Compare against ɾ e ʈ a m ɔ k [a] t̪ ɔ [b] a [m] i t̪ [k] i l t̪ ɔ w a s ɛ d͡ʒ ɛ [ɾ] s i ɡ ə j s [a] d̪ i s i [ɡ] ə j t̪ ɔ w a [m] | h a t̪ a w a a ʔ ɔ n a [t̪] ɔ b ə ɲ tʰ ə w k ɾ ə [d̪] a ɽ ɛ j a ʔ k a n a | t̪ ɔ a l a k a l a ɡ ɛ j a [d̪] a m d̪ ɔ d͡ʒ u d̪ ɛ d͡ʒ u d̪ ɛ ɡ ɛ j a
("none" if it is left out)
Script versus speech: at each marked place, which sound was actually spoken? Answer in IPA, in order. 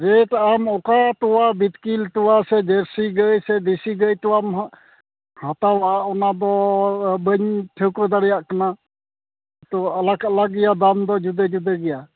a, w, b, k, ɾ, ɛ, ɡ, m, d̪, d̪, d̪

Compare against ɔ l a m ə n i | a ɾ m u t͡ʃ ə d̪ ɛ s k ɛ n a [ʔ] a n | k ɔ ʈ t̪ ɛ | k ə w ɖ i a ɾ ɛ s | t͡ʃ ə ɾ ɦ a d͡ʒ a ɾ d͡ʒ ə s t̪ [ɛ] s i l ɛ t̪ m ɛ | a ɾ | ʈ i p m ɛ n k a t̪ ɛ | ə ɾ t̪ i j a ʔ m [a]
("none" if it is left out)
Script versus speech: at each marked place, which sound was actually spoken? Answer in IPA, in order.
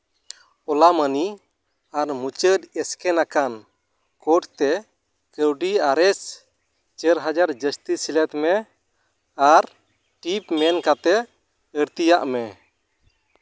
k, i, ɛ

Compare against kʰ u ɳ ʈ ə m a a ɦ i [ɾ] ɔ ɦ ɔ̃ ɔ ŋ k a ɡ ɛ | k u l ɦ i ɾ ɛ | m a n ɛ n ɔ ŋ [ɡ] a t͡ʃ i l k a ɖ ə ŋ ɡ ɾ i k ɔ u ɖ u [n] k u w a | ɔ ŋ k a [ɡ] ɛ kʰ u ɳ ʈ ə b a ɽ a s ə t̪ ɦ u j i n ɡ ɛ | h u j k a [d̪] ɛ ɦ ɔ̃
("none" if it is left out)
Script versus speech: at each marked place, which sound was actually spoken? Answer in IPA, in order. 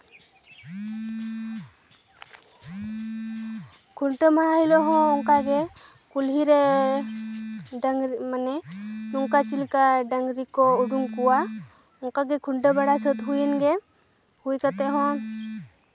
l, k, ŋ, ɡ, t̪

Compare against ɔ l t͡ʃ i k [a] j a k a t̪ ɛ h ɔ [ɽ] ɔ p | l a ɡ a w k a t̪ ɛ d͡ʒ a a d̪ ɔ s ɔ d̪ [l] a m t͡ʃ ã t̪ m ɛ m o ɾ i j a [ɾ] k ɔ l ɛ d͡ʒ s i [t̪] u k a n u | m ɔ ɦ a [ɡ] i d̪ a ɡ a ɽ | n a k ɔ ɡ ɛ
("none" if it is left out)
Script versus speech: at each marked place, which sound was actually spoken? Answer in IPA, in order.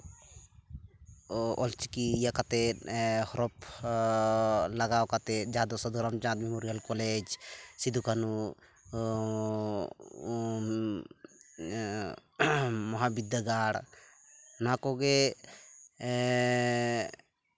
i, ɾ, ɾ, l, d̪, b

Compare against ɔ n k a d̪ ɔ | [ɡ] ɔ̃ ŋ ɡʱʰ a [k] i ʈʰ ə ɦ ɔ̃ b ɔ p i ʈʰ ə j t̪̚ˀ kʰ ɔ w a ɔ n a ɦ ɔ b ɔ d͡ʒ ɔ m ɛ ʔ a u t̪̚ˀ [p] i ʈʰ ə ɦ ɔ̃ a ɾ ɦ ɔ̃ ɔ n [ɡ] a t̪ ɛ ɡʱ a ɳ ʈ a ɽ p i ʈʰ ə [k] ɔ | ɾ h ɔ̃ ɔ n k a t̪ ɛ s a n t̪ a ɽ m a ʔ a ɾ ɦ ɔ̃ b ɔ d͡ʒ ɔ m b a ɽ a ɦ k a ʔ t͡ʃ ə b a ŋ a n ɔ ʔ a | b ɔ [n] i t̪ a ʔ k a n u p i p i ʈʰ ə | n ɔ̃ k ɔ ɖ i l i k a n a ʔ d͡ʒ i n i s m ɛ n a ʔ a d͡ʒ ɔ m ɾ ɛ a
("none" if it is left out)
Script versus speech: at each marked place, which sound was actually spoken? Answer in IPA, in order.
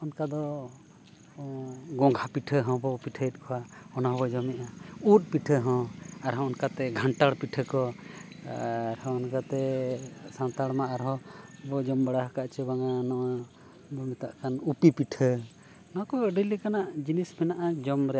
ɡ, p, p, k, k, m

